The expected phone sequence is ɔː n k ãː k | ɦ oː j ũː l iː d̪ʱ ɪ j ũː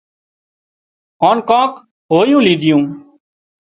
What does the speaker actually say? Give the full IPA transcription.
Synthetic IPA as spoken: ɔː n k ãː k | ɦ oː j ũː l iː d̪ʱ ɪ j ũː